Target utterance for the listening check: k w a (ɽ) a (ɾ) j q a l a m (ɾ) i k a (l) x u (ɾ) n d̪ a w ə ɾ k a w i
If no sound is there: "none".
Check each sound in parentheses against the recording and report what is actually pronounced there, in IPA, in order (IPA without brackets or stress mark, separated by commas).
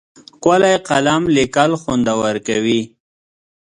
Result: l, none, l, l, none